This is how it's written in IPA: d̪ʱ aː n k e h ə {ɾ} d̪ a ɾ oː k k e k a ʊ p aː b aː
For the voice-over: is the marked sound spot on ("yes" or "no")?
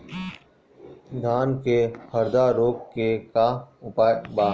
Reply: yes